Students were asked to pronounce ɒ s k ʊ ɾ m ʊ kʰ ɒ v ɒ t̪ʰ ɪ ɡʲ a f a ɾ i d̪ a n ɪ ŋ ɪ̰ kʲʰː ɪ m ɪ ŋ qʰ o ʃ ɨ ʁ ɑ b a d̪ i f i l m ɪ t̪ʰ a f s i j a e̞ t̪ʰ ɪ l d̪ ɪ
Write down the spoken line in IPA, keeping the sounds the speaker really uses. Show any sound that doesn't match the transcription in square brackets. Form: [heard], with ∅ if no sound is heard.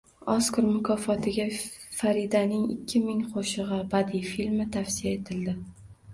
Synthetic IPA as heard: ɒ s k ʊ ɾ m ʊ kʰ ɒ [f] ɒ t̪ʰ ɪ ɡʲ a f a ɾ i d̪ a n ɪ ŋ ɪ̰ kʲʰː ɪ m ɪ ŋ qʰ o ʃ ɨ ʁ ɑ b a d̪ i f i l m ɪ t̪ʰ a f s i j a e̞ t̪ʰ ɪ l d̪ ɪ

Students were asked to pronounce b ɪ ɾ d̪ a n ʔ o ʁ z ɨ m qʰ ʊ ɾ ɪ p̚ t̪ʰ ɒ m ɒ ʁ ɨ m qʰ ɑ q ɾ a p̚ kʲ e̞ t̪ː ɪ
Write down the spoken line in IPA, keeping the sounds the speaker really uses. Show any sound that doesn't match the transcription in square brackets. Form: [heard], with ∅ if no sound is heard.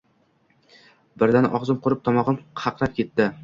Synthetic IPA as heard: b ɪ ɾ d̪ a n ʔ [ɒ] ʁ z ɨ m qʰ ʊ ɾ ɪ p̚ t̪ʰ ɒ m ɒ ʁ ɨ m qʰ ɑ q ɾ a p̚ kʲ e̞ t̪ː ɪ

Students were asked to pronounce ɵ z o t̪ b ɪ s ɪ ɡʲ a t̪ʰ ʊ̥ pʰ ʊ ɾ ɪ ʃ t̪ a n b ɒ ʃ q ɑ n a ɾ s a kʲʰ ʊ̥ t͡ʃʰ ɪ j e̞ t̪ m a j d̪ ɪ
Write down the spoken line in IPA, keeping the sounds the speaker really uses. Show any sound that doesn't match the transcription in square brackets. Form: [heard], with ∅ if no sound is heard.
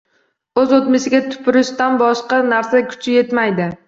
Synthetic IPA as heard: ɵ z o t̪ [m] ɪ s ɪ ɡʲ a t̪ʰ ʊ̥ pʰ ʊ ɾ ɪ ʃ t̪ a n b ɒ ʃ q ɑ n a ɾ s a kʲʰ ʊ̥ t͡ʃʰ ɪ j e̞ t̪ m a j d̪ ɪ

